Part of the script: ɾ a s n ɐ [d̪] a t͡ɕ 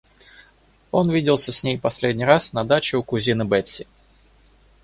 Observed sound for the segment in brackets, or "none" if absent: d̪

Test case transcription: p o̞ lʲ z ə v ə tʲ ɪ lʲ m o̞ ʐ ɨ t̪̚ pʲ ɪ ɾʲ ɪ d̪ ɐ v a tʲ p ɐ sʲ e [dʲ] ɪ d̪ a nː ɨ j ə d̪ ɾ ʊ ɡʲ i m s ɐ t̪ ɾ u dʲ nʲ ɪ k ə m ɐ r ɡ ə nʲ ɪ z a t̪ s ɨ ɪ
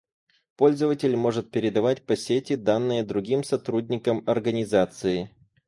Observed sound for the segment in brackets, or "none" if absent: tʲ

